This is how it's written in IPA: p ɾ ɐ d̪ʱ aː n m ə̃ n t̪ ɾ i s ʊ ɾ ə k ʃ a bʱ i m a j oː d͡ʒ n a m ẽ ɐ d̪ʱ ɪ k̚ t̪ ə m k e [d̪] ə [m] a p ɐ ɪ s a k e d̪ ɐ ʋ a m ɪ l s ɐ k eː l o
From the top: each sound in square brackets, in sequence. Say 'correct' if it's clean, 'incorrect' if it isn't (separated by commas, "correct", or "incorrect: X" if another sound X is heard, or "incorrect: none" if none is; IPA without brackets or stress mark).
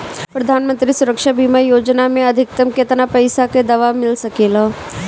incorrect: t̪, incorrect: n